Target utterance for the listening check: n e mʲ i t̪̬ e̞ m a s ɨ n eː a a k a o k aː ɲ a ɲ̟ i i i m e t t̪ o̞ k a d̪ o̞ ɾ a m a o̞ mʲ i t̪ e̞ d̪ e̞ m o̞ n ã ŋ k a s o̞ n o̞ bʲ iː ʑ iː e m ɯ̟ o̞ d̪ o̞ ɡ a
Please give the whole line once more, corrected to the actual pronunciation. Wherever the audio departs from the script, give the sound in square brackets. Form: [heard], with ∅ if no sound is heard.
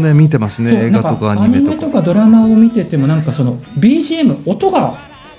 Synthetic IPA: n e mʲ i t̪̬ e̞ m a s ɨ n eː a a k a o k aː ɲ a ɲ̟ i i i m e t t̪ o̞ k a d̪ o̞ ɾ a m a o̞ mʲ i t̪ e̞ [t̪] e̞ m o̞ n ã ŋ k a s o̞ n o̞ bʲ iː ʑ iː e m ɯ̟ o̞ [t̪] o̞ ɡ a